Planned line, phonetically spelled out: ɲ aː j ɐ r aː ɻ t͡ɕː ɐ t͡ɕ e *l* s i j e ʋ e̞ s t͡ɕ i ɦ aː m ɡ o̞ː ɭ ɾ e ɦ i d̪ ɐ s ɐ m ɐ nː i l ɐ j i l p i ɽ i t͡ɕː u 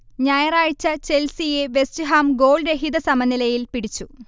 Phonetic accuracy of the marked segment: correct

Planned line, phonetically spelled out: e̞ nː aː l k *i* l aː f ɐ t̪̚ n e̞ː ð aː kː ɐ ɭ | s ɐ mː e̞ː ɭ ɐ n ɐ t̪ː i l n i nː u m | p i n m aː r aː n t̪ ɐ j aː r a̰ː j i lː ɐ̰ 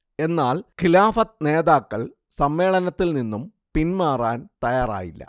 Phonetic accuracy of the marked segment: correct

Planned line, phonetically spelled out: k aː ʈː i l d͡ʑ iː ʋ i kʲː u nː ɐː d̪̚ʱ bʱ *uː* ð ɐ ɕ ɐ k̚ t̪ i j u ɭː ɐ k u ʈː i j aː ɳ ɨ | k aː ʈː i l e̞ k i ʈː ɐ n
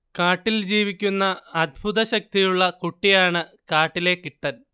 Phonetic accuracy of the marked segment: incorrect: u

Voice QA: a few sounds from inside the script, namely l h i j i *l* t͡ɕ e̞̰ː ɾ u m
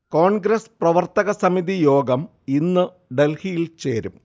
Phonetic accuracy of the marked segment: correct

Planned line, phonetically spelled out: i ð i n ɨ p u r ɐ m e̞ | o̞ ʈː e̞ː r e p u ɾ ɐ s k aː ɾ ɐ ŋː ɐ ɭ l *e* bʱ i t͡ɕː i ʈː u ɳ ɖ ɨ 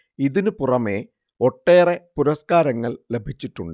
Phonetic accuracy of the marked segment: correct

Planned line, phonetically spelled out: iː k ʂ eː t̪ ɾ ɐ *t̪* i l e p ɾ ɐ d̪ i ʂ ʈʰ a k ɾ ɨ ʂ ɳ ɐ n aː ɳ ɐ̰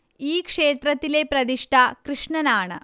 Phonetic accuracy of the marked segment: correct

